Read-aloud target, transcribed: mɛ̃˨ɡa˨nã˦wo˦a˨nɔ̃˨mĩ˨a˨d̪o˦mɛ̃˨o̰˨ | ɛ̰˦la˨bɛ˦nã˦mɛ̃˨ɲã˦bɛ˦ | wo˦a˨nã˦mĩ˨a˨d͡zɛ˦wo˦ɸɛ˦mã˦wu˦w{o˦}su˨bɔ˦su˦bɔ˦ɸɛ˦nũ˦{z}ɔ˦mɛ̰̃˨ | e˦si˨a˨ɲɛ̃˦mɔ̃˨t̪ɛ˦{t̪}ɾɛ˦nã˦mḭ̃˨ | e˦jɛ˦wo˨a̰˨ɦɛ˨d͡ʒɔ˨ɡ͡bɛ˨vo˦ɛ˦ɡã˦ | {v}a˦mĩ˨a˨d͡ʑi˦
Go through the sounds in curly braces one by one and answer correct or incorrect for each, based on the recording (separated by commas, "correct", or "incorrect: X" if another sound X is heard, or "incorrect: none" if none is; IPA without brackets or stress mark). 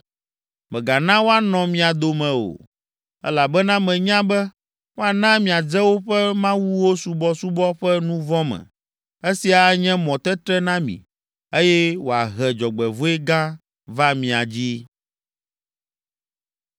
correct, incorrect: v, correct, correct